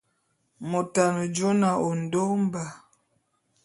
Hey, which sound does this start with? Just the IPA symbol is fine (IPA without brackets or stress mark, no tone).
m